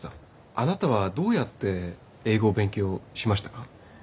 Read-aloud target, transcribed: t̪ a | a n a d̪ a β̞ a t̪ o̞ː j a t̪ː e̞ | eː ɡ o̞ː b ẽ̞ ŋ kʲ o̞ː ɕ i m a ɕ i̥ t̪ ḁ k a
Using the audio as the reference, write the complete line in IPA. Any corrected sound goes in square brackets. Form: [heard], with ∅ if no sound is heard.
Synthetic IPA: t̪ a | a n a [t̪] a β̞ a [d̪] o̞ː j a t̪ː e̞ | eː ɡ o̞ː b ẽ̞ ŋ kʲ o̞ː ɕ i m a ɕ i̥ t̪ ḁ k a